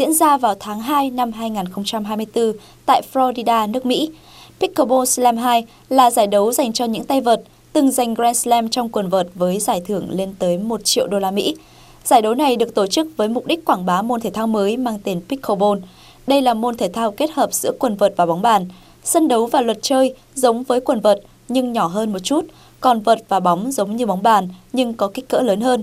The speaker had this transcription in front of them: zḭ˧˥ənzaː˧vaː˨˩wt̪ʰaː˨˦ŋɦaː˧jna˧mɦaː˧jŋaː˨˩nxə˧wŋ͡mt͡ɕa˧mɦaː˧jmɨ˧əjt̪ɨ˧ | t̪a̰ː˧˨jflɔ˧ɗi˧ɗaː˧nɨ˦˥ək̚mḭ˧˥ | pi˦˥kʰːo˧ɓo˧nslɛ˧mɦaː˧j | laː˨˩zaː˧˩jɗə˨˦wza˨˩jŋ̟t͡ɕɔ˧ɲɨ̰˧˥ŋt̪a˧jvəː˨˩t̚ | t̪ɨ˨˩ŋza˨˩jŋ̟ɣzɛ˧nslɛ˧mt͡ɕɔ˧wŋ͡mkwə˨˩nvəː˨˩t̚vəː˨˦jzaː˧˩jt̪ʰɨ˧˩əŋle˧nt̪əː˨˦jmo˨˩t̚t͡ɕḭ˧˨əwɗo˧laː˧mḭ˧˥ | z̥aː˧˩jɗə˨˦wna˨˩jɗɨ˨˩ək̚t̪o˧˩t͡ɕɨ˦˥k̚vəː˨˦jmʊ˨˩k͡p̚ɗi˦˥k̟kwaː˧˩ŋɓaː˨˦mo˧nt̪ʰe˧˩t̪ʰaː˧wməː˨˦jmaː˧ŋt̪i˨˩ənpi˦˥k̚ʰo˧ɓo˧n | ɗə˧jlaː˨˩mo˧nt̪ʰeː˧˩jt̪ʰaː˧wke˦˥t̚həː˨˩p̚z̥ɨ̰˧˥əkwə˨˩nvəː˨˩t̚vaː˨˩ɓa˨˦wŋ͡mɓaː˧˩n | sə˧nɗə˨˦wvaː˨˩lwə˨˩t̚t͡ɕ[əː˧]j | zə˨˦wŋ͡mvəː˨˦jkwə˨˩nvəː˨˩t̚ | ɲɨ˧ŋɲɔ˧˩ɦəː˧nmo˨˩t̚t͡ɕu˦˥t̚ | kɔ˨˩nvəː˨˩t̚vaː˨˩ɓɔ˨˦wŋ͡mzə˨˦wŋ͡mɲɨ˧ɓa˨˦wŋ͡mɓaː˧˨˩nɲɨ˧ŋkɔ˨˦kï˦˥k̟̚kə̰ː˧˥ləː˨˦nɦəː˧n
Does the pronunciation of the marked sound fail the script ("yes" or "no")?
no